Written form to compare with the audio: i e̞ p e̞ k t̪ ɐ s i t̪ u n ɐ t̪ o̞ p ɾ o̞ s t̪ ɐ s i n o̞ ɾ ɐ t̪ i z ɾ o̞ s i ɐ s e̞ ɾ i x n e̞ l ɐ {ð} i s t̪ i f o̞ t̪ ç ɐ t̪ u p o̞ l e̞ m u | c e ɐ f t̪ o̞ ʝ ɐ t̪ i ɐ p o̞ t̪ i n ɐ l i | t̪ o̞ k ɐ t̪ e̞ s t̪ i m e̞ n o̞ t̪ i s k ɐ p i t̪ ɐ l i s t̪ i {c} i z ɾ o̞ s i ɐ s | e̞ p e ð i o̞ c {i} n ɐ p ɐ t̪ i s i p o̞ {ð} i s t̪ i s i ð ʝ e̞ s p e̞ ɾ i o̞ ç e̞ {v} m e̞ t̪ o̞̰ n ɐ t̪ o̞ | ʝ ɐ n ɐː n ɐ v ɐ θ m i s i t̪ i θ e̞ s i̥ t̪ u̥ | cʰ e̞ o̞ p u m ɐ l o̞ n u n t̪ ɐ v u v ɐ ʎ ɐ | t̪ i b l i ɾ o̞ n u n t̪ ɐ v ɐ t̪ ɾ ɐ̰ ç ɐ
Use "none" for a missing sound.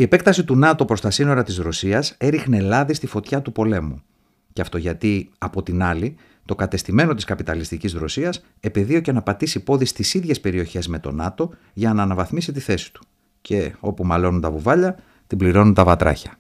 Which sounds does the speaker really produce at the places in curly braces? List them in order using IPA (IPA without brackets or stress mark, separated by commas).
ð, c, e, ð, z